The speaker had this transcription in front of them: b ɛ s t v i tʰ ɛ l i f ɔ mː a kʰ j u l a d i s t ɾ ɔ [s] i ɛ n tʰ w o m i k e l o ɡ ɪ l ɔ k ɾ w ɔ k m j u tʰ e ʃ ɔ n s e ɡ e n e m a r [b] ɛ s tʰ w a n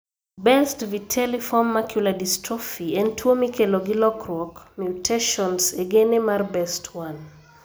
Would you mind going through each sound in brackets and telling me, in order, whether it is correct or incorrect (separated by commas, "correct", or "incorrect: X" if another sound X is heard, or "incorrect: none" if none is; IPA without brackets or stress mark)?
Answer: incorrect: f, correct